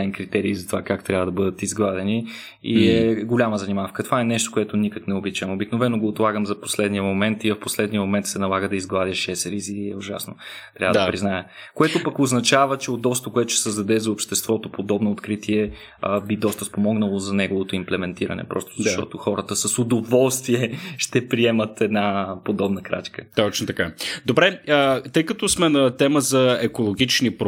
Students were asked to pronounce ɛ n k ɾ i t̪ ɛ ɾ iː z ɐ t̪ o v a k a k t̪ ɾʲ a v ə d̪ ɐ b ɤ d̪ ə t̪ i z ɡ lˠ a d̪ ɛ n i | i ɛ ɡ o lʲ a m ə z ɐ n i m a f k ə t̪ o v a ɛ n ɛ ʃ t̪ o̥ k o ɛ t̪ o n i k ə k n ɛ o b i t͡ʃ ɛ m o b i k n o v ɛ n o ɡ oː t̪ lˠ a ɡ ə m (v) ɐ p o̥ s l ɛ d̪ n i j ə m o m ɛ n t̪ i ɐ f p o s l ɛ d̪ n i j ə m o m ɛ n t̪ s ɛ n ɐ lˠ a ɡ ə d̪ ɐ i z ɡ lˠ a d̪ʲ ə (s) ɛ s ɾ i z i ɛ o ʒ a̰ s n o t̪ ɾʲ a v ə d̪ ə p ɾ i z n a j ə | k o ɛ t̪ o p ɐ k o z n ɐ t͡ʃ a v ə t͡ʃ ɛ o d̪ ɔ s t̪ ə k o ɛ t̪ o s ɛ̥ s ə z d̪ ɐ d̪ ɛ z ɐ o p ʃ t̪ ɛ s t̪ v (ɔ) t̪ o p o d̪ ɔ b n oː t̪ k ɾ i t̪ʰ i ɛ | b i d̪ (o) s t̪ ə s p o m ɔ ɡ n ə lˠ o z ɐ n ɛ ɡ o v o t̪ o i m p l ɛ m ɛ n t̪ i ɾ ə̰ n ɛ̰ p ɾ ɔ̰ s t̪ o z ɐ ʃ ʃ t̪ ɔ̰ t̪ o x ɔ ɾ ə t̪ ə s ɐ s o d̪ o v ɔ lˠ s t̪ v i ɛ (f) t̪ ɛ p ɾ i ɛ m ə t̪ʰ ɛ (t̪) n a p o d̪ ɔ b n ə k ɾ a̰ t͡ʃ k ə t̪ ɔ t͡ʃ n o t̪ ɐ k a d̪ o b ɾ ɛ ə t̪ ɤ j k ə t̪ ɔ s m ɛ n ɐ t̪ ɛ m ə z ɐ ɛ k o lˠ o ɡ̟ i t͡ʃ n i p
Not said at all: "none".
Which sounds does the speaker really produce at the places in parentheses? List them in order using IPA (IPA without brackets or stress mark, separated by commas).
z, ʃ, ɔ, ɔ, ʃ, d̪